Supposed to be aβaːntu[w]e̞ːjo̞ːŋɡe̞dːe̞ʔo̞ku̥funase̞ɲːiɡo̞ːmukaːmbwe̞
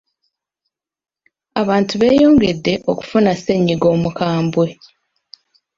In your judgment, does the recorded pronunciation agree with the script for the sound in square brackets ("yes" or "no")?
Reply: no